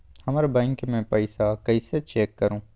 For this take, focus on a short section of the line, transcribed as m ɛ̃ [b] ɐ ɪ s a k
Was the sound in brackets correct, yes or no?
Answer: no